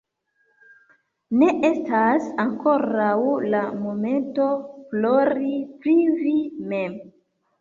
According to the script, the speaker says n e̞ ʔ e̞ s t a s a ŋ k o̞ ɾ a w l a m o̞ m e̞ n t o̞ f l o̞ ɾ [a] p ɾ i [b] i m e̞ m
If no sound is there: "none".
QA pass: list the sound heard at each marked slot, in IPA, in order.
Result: i, v

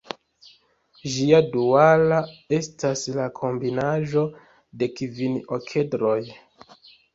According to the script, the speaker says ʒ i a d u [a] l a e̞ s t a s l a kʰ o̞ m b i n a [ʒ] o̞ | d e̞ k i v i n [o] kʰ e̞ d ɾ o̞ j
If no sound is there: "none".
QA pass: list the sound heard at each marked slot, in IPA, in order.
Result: a, ʒ, o

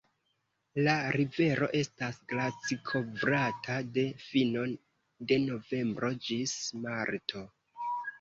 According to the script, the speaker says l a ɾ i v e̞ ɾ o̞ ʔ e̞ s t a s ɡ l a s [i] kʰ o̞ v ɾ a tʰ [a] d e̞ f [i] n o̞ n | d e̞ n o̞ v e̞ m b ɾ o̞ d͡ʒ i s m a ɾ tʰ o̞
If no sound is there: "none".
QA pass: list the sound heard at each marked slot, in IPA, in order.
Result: i, a, i

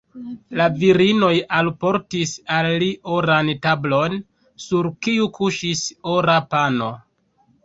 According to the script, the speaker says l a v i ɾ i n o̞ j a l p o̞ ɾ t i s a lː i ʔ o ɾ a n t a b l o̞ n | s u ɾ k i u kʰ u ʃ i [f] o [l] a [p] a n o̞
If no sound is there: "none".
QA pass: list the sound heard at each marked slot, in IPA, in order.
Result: s, ɾ, p

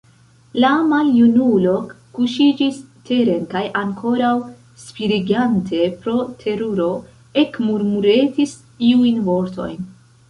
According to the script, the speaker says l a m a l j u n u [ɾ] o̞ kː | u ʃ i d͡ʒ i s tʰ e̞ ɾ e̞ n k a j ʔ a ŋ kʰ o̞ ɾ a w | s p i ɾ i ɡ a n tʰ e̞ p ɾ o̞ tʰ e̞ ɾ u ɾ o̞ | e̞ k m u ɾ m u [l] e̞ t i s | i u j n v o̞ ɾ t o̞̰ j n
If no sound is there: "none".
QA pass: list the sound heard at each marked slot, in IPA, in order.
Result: l, ɾ

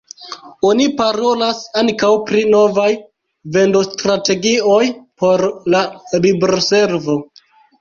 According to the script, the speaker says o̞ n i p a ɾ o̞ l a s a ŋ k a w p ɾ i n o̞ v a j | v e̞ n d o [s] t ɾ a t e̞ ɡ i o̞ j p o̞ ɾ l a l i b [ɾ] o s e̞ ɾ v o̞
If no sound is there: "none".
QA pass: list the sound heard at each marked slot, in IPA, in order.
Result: s, ɾ

